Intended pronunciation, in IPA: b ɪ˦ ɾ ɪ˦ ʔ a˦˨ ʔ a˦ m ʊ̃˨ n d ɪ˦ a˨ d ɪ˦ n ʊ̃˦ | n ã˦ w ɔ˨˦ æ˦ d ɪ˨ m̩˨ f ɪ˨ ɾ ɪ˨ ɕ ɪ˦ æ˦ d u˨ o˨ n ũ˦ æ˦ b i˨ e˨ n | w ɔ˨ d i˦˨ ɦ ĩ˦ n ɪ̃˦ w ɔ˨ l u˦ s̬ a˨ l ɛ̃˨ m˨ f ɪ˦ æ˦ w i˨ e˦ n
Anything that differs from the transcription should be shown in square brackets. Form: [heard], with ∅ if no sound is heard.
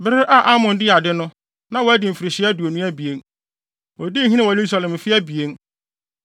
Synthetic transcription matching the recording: b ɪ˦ ɾ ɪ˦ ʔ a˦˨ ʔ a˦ m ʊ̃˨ n d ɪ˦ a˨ d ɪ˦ n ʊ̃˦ | n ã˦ w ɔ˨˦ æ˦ d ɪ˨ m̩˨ f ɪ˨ ɾ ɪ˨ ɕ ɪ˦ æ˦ d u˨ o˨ n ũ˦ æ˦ b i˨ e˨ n | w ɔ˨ d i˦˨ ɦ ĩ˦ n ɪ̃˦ w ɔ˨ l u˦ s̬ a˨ l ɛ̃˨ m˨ f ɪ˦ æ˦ [b] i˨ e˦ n